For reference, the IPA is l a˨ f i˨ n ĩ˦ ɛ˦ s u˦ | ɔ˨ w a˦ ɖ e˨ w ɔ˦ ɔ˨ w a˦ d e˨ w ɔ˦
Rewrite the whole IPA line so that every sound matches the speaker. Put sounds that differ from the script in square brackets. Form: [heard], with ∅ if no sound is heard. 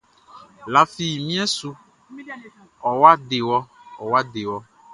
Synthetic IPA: l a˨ f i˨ [m] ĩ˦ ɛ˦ s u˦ | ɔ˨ w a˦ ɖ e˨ w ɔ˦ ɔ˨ w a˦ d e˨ w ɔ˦